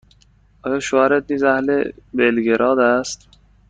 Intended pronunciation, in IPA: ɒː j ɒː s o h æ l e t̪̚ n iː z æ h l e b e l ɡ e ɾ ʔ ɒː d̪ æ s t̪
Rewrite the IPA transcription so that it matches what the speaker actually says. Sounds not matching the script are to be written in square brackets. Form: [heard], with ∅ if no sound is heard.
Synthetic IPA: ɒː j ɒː [ʃ] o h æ [ɾ] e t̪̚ n iː z æ h l e b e l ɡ e ɾ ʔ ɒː d̪ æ s t̪